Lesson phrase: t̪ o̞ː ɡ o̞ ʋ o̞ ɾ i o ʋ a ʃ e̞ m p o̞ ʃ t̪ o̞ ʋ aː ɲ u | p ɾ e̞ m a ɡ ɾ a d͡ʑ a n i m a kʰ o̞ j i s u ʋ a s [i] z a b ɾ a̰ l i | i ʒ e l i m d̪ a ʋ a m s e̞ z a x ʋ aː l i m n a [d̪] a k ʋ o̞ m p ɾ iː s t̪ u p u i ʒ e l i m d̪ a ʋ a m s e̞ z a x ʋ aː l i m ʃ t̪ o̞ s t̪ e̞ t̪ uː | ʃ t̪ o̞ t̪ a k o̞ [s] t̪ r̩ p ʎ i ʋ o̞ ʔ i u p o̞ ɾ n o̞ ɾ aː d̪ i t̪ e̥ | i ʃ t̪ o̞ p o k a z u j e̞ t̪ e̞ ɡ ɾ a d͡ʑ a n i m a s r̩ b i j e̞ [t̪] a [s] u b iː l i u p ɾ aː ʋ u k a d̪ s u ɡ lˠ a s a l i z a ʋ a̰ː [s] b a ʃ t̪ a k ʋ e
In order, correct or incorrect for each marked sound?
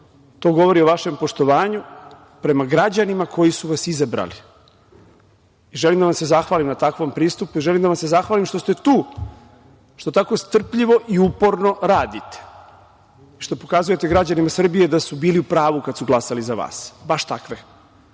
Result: correct, incorrect: t̪, correct, incorrect: d̪, correct, correct

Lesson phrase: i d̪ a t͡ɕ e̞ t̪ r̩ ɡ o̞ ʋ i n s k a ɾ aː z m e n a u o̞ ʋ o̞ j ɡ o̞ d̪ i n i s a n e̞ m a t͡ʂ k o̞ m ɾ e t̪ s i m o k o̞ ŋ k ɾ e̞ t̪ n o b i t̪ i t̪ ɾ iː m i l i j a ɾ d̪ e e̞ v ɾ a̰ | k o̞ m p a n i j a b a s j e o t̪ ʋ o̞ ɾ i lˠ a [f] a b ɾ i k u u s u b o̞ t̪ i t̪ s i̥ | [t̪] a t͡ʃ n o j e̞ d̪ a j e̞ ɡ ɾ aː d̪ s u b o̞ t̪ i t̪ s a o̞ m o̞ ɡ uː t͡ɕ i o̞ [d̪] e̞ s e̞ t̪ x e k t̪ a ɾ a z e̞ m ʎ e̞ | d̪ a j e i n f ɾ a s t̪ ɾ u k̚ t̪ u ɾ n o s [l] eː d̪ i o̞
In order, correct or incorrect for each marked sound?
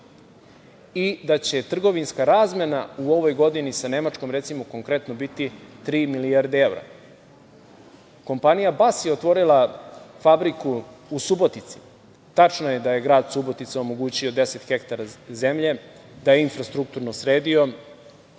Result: correct, correct, correct, incorrect: ɾ

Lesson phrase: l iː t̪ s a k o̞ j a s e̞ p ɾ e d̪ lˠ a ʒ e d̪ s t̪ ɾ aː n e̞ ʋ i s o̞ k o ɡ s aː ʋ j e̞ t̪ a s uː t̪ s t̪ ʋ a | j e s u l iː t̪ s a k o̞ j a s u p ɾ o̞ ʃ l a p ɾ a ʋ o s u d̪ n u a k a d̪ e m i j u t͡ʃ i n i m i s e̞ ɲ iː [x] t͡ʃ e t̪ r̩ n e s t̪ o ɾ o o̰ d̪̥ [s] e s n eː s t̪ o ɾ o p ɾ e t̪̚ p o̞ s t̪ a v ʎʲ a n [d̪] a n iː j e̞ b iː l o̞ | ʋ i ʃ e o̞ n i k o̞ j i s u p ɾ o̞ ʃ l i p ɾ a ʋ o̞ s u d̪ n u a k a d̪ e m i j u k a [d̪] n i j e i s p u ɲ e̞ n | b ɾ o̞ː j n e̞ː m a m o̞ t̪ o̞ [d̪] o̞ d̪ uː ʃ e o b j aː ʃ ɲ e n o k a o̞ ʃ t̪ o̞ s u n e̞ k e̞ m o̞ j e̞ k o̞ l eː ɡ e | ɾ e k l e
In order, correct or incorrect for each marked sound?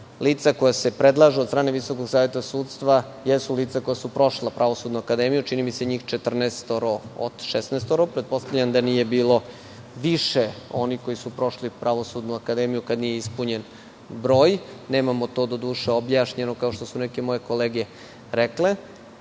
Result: correct, incorrect: ʃ, correct, correct, correct

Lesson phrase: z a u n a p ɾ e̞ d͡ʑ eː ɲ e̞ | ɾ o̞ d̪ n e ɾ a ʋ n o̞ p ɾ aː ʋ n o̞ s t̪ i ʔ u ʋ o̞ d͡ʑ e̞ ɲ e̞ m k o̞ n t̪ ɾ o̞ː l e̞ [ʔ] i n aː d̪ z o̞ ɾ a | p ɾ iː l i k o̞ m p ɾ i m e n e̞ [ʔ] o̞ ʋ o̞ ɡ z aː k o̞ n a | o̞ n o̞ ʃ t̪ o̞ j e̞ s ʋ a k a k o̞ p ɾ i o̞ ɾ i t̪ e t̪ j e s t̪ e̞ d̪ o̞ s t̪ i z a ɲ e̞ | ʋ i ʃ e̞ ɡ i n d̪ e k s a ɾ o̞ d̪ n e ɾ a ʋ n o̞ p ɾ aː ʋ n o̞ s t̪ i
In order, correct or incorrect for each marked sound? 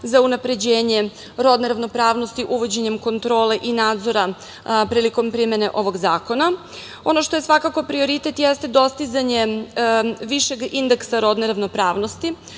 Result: correct, correct

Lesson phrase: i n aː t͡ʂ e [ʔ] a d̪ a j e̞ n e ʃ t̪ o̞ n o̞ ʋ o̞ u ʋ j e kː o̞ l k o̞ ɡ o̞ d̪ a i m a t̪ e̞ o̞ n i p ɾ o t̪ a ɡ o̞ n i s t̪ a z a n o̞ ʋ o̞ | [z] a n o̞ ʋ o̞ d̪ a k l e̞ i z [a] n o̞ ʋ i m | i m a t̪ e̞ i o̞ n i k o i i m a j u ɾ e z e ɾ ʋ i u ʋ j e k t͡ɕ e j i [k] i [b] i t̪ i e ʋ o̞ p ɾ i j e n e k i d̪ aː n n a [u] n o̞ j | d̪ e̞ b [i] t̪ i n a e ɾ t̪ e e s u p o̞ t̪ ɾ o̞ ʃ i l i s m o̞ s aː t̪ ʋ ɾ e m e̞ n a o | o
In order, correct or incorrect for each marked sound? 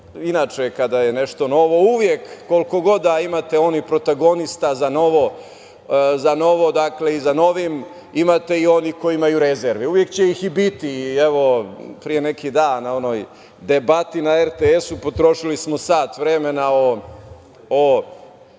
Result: incorrect: k, correct, correct, incorrect: x, correct, incorrect: o, incorrect: a

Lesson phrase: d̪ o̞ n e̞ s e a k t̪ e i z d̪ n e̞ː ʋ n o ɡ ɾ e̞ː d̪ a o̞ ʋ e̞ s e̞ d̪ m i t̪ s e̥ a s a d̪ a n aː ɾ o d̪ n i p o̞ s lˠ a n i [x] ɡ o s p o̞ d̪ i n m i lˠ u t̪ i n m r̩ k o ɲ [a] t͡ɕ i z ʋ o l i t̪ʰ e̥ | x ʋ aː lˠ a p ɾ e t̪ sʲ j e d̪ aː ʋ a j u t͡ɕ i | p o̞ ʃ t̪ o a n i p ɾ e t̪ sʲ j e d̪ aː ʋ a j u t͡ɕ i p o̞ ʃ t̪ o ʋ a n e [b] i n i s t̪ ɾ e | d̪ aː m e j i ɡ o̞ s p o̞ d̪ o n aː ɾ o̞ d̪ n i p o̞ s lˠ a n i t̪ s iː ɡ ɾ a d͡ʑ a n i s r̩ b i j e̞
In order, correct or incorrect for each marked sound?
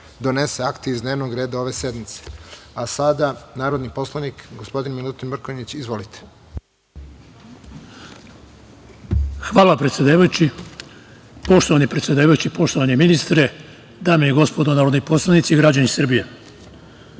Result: incorrect: k, incorrect: i, incorrect: m

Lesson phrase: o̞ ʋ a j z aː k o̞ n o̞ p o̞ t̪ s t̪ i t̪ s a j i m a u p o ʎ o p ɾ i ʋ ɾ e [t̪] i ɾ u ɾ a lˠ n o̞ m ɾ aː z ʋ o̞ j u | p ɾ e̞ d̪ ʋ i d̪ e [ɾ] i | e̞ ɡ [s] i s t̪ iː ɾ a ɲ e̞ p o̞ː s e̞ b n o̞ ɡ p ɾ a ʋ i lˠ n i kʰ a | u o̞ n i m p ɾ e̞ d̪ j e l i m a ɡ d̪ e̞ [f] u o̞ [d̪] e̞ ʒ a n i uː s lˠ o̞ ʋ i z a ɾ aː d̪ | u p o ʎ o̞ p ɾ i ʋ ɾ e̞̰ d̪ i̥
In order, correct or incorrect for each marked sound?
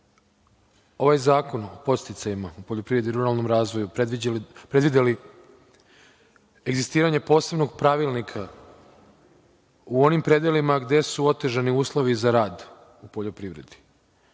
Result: incorrect: d̪, incorrect: l, incorrect: z, incorrect: s, incorrect: t̪

